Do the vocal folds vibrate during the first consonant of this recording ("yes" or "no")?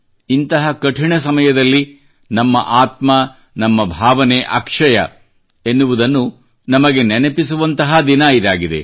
yes